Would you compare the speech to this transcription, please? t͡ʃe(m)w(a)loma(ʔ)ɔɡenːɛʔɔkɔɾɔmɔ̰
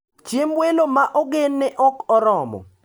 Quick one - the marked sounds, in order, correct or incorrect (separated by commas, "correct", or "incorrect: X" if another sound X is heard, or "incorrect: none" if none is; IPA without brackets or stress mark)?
correct, incorrect: e, correct